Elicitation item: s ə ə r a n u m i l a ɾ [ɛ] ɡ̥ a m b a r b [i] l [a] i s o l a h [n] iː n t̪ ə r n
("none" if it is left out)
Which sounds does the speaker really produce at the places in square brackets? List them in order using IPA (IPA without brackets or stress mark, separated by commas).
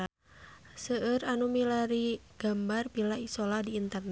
i, i, a, d